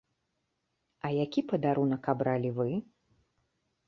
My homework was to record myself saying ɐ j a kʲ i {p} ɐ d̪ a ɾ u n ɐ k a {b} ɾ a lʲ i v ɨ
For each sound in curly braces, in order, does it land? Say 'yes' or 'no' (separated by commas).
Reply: yes, yes